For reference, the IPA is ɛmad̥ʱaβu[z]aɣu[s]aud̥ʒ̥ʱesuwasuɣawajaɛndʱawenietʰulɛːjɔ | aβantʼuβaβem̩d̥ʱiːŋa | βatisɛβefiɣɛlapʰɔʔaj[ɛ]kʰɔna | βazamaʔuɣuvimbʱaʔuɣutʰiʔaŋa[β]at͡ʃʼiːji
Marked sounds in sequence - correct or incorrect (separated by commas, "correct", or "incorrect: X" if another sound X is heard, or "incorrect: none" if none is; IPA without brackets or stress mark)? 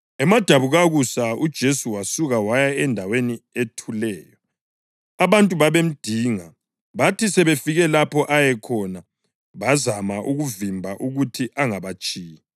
incorrect: ɣ, correct, correct, correct